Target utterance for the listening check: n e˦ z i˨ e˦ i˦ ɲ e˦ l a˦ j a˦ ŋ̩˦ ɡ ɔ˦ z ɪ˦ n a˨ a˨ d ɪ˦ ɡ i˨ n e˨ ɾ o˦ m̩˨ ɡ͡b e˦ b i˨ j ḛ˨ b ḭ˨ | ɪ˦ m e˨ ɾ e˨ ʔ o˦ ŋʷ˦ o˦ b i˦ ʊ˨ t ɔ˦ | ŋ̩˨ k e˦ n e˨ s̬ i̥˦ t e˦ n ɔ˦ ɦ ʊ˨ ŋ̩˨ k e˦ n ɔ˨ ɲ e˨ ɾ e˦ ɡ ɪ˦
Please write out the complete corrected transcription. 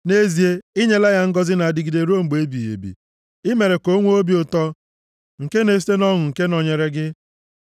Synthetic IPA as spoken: n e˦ z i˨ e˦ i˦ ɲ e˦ l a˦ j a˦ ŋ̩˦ ɡ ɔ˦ z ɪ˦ n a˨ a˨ d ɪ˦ ɡ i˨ d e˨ ɾ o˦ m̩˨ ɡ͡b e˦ b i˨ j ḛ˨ b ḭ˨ | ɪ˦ m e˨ ɾ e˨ k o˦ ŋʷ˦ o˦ b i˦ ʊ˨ t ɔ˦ | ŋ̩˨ k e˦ n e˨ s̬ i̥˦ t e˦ n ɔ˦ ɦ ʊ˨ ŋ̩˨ k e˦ n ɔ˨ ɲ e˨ ɾ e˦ ɡ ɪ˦

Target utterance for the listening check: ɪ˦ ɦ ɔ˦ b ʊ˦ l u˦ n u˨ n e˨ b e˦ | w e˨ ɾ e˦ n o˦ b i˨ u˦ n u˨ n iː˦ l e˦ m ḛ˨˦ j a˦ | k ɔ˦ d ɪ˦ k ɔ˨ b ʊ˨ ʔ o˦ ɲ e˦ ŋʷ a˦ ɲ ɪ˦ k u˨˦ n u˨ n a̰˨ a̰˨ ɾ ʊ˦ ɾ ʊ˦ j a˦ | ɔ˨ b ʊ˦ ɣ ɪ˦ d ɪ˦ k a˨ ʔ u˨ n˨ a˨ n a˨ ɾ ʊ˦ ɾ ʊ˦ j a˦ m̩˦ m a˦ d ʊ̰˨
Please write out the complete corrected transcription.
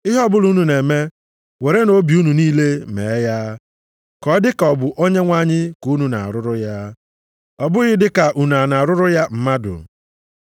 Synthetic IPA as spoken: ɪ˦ ɦ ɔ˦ b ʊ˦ l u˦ n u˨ n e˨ m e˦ | w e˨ ɾ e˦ n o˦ b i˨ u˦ n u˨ n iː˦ l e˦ m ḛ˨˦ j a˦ | k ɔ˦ d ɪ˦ k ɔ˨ b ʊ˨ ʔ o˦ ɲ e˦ ŋʷ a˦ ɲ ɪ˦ k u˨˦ n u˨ n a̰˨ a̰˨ ɾ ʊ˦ ɾ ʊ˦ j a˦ | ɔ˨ b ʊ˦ ɣ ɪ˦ d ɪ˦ k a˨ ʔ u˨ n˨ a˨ n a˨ ɾ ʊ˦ ɾ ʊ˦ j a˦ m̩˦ m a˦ d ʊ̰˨

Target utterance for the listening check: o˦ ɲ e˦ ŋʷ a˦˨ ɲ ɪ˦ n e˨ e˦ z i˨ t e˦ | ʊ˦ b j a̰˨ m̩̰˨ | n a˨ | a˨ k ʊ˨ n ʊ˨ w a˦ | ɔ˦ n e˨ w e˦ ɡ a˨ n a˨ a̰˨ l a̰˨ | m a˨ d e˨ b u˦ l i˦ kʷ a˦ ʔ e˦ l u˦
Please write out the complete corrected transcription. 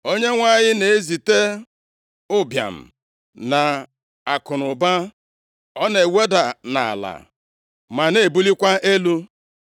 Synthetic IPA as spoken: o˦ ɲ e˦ ŋʷ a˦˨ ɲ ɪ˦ n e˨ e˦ z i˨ t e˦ | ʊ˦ b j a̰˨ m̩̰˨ | n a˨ | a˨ k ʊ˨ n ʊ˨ b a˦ | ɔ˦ n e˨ w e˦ d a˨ n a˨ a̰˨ l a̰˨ | m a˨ n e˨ b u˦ l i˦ kʷ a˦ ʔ e˦ l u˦

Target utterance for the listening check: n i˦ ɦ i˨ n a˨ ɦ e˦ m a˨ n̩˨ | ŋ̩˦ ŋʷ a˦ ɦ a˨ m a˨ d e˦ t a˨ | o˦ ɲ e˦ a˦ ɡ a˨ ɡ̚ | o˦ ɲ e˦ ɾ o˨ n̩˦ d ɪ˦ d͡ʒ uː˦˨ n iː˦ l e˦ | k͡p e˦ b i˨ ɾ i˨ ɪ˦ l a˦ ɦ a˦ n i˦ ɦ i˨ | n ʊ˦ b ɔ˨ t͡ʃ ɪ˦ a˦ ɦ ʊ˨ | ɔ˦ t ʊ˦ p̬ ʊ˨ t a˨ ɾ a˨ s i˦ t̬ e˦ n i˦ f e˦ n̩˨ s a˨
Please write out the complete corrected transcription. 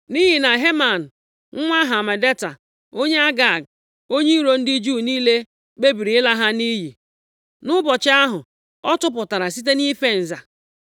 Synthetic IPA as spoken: n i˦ ɦ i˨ n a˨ ɦ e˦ m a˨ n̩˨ | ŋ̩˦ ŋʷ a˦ ɦ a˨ m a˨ d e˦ t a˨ | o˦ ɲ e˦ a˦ ɡ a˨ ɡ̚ | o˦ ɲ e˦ ɾ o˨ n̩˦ d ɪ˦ d͡ʒ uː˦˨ n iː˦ l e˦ | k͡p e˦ b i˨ ɾ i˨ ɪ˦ l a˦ ɦ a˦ n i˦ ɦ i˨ | n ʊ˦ b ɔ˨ t͡ʃ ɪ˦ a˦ ɦ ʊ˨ | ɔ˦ t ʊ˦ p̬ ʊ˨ t a˨ ɾ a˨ s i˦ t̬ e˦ n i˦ f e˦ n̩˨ z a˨

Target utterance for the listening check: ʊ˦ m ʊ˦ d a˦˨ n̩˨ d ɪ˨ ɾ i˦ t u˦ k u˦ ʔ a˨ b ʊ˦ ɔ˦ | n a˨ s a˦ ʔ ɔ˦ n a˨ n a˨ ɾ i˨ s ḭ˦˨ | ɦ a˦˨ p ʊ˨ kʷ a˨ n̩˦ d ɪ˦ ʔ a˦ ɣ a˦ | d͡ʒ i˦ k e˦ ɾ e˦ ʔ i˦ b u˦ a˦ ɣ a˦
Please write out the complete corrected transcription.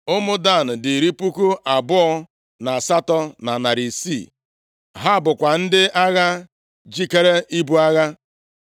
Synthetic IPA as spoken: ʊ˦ m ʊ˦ d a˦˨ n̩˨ d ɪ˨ ɾ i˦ p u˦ k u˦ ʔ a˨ b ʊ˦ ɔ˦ | n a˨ s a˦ t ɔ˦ n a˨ n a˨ ɾ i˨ s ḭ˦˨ | ɦ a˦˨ b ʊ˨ kʷ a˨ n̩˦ d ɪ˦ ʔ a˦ ɣ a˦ | d͡ʒ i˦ k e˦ ɾ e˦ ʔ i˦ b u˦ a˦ ɣ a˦

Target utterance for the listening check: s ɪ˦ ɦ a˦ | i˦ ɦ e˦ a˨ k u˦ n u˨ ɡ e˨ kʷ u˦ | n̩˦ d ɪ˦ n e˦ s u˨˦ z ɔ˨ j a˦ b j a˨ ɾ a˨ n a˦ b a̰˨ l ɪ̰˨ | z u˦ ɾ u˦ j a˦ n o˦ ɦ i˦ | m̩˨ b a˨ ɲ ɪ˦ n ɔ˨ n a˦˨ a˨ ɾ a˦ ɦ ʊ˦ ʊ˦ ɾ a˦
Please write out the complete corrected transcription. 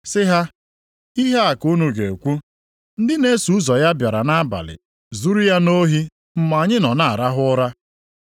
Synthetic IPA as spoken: s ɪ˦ ɦ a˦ | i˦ ɦ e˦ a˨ k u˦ n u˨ ɡ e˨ kʷ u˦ | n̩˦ d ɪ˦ n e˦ s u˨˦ z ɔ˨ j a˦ b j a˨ ɾ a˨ n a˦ b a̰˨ l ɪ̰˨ | z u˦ ɾ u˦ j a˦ n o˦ ɦ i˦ | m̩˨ m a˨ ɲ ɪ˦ n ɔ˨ n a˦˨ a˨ ɾ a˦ ɦ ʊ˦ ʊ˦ ɾ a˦

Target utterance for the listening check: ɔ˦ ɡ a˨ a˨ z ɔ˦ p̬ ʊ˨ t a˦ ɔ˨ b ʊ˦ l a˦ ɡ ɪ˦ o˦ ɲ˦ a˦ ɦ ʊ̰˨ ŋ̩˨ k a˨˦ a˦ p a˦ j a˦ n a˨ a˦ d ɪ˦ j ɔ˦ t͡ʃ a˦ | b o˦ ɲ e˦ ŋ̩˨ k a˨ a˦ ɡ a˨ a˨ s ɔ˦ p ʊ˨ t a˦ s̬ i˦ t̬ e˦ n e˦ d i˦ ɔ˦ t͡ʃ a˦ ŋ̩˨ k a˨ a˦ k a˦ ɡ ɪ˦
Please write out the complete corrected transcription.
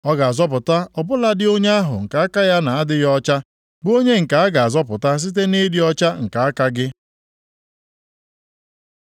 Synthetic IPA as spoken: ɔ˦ ɡ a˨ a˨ z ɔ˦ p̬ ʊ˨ t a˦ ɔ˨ b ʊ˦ l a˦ d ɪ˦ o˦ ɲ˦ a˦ ɦ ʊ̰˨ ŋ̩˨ k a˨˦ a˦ k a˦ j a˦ n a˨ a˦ d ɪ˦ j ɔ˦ t͡ʃ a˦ | b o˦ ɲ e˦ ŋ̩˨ k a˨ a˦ ɡ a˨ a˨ z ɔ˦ p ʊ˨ t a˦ s̬ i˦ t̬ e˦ n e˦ d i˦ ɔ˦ t͡ʃ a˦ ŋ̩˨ k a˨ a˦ k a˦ ɡ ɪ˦

